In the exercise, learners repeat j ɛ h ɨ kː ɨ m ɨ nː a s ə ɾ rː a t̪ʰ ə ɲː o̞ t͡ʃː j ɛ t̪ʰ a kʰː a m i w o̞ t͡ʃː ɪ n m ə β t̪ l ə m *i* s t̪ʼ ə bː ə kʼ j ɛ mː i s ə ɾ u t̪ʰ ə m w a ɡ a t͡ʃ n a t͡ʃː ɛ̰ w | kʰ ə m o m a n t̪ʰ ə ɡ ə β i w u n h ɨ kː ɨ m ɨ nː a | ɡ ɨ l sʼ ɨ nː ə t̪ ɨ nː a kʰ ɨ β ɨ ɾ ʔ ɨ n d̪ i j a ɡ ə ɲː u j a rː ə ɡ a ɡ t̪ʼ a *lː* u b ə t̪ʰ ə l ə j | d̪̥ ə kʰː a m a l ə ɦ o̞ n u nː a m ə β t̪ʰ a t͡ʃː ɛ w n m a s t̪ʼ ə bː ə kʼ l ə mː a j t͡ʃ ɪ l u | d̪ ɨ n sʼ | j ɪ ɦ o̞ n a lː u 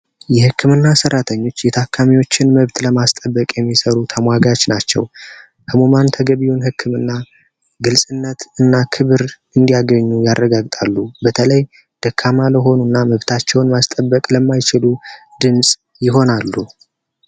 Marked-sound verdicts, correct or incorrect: incorrect: a, correct

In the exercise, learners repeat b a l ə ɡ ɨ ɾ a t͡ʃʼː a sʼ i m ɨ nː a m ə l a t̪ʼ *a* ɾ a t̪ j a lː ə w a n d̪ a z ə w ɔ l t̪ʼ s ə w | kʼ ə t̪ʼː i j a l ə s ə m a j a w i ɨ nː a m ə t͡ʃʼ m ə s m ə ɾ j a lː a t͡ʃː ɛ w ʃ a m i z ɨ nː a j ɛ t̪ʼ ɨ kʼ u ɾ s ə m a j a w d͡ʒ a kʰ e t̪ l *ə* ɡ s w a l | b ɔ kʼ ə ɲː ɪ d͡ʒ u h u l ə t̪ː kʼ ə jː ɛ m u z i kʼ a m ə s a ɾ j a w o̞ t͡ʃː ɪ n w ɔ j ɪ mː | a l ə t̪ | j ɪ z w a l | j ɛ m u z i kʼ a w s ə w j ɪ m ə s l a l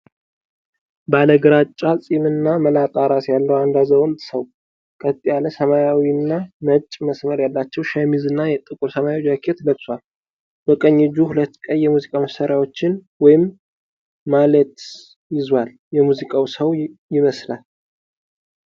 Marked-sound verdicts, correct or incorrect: correct, correct

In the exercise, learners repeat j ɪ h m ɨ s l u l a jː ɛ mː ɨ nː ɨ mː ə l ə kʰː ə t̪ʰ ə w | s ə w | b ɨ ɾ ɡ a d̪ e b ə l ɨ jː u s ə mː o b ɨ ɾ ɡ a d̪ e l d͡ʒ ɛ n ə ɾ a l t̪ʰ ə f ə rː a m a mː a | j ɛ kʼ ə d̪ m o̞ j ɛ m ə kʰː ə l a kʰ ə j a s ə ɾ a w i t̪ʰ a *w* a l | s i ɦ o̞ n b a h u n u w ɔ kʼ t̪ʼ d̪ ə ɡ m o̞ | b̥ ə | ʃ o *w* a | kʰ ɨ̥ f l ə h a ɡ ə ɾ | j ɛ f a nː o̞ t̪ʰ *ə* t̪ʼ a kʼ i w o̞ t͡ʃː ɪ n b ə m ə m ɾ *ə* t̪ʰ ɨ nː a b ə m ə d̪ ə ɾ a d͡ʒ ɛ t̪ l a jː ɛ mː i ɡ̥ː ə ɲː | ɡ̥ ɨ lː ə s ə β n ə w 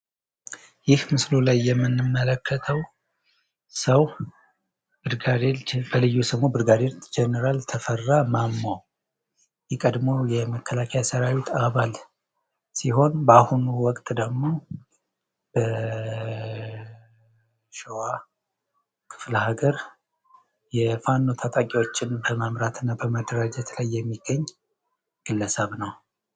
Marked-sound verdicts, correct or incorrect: incorrect: β, correct, incorrect: a, incorrect: a

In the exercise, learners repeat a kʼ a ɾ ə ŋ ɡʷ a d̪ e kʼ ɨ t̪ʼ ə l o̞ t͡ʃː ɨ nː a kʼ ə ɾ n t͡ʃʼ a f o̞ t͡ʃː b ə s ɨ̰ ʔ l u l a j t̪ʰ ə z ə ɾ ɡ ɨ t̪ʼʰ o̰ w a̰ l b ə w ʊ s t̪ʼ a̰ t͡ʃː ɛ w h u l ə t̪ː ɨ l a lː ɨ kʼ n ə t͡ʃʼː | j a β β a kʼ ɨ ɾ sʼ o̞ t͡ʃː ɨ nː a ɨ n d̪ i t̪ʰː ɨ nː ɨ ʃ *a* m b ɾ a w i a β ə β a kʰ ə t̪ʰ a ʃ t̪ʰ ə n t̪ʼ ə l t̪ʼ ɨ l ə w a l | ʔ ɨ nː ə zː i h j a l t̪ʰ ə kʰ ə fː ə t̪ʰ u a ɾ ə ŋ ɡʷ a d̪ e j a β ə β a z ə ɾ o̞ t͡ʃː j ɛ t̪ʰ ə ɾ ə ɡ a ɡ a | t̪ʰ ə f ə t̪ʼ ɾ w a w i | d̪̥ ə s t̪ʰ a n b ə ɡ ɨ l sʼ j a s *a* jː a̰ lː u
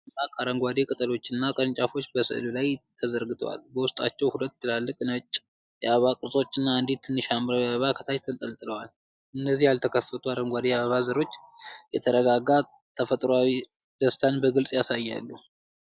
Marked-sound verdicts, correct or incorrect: correct, correct

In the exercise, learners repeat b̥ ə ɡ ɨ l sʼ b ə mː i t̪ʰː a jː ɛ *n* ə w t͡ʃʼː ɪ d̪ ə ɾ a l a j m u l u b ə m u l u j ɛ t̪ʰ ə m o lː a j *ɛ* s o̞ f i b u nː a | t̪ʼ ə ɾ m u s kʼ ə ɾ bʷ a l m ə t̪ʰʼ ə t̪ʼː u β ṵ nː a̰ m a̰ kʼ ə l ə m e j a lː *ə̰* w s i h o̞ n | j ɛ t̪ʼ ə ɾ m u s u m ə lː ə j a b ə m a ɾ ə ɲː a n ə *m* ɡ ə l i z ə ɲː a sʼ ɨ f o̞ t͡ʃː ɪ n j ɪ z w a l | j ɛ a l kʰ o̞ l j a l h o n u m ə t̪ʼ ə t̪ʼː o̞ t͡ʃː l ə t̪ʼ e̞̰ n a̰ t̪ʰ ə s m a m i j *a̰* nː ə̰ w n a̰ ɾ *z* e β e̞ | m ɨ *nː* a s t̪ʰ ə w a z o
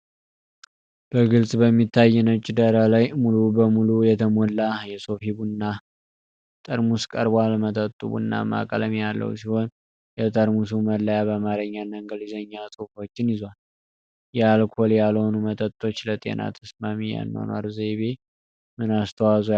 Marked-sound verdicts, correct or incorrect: correct, correct, correct, incorrect: ŋ, correct, correct, incorrect: n

